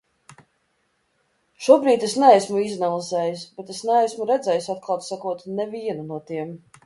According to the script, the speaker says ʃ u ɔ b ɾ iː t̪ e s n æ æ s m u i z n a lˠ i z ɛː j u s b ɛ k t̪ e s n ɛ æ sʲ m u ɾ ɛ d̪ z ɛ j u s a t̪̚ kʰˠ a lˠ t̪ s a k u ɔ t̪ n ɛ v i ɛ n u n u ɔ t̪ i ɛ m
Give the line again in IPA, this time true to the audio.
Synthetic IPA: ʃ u ɔ b ɾ iː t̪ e s n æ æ s m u i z n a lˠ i z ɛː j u s b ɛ t̪ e s n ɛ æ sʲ m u ɾ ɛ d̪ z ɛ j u s a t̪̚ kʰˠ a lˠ t̪ s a k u ɔ t̪ n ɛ v i ɛ n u n u ɔ t̪ i ɛ m